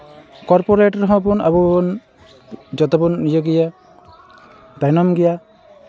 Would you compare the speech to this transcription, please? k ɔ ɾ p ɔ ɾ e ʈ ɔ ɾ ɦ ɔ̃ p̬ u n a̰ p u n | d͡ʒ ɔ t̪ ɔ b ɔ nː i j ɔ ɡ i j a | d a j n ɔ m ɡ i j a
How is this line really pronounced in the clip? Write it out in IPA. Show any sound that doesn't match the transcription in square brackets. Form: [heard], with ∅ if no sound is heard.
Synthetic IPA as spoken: k ɔ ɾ p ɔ ɾ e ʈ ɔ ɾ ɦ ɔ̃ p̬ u n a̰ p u n | d͡ʒ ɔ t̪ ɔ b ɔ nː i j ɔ ɡ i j a | d a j n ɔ m ɡ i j a

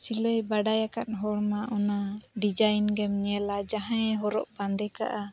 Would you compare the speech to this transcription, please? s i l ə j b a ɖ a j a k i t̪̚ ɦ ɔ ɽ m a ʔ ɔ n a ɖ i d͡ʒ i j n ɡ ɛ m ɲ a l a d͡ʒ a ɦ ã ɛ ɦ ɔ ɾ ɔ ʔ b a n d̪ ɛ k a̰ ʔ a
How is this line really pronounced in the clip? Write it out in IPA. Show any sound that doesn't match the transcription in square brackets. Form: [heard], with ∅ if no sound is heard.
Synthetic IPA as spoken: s i l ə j b a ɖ a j a k [a] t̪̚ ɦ ɔ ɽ m a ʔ ɔ n a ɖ i d͡ʒ [a] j n ɡ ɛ m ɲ [ɛ] l a d͡ʒ a ɦ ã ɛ ɦ ɔ ɾ ɔ ʔ b a n d̪ ɛ k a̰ ʔ a

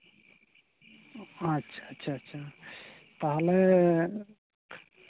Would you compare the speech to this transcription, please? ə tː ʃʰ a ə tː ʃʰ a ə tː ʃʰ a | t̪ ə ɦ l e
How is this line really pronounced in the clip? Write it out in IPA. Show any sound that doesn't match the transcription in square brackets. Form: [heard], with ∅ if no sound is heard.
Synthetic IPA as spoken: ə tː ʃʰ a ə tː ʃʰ a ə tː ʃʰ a | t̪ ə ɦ l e

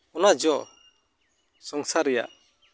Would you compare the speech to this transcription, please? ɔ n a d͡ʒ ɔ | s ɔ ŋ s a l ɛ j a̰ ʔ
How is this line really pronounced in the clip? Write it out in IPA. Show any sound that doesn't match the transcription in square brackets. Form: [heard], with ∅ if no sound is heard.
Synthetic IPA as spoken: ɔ n a d͡ʒ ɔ | s ɔ ŋ s a [ɾ] ɛ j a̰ ʔ

